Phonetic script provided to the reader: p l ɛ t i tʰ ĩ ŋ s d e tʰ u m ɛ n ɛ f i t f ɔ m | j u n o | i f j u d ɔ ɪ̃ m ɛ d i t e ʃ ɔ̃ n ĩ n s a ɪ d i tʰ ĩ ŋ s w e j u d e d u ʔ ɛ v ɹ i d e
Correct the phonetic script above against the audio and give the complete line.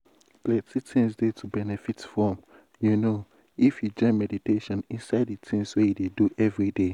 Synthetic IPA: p l ɛ t i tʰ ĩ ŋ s d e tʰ u b ɛ n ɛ f i t f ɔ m | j u n o | i f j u d͡ʒ ɔ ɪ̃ m ɛ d i t e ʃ ɔ̃ n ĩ n s a ɪ d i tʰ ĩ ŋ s w e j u d e d u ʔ ɛ v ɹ i d e